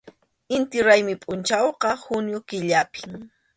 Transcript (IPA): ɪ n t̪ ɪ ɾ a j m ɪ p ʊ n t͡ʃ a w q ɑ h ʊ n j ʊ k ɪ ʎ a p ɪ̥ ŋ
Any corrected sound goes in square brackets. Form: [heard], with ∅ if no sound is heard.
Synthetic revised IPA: ɪ n t̪ ɪ ɾ a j m ɪ [pʼ] ʊ n t͡ʃ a w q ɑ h ʊ n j ʊ k ɪ ʎ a p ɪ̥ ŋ

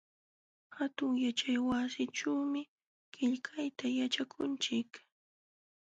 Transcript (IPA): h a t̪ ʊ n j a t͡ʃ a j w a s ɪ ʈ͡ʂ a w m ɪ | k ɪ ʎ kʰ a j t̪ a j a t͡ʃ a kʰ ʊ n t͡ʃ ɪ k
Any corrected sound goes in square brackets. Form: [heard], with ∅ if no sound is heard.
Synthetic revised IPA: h a t̪ ʊ [ŋ] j a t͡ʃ a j w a s ɪ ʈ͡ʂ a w m ɪ | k ɪ ʎ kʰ a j t̪ a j a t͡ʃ a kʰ ʊ n t͡ʃ ɪ k

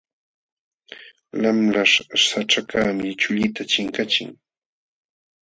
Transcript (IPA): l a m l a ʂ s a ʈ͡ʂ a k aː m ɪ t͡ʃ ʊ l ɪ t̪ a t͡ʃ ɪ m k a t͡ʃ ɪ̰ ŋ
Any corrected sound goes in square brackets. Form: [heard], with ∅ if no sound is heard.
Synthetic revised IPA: l a m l a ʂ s a ʈ͡ʂ a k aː m ɪ t͡ʃ ʊ [ʎ] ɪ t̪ a t͡ʃ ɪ [ŋ] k a t͡ʃ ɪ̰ ŋ

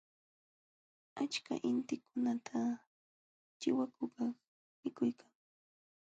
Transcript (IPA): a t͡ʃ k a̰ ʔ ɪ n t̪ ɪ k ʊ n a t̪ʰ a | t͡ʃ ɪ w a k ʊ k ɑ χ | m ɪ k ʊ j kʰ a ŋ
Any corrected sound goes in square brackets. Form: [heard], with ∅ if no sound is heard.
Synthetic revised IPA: a t͡ʃ k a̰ ʔ ɪ n t̪ ɪ k ʊ n a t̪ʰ a | t͡ʃ ɪ w a k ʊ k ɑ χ | m ɪ k ʊ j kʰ a ŋ

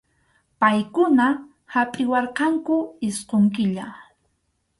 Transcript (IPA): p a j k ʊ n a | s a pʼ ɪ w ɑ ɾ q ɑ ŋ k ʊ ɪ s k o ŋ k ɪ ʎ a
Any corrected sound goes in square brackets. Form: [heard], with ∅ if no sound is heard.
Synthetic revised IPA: p a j k ʊ n a | [h] a pʼ ɪ w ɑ ɾ q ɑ ŋ k ʊ ɪ s [q] o ŋ k ɪ ʎ a

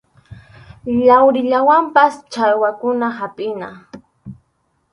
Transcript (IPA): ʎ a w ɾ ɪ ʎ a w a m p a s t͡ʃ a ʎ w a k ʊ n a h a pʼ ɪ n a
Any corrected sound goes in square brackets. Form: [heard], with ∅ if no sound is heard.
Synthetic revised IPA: ʎ a w ɾ ɪ ʎ a w a m p a s t͡ʃ a [j] w a k ʊ n a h a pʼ ɪ n a

